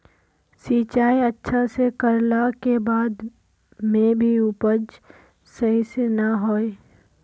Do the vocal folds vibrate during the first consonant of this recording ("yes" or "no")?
no